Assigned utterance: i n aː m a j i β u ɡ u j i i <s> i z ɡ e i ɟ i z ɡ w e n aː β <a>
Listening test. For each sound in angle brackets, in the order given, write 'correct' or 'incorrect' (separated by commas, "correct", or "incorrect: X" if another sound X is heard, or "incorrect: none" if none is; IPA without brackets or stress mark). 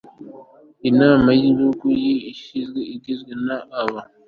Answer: incorrect: ʃ, correct